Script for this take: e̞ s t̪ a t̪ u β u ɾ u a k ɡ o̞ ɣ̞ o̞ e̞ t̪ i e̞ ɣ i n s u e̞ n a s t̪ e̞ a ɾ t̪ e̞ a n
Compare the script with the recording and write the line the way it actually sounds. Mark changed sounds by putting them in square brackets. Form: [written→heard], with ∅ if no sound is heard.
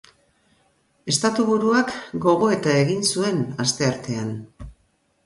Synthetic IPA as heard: e̞ s t̪ a t̪ u β u ɾ u a k ɡ o̞ ɣ̞ o̞ e̞ t̪ [i→a] e̞ ɣ i n s u e̞ n a s t̪ e̞ a ɾ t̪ e̞ a n